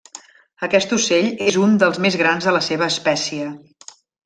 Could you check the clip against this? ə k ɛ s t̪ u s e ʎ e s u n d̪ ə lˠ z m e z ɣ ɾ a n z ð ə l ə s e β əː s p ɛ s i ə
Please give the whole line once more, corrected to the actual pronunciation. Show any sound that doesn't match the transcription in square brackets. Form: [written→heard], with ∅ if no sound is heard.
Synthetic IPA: ə k ɛ s t̪ u s e ʎ e [s→z] u n d̪ ə lˠ z m e z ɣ ɾ a n z ð ə l ə s e β əː s p ɛ s i ə